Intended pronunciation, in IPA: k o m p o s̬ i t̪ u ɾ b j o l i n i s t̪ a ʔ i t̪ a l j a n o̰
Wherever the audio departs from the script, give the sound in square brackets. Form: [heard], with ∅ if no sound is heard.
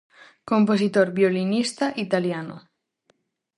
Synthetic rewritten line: k o m p o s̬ i t̪ [o] ɾ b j o l i n i s t̪ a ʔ i t̪ a l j a n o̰